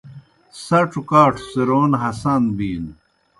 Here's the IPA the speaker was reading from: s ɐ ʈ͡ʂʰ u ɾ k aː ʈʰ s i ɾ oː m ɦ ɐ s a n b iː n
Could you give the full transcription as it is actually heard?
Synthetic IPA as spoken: s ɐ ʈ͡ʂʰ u k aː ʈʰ s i ɾ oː n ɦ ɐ s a n b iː n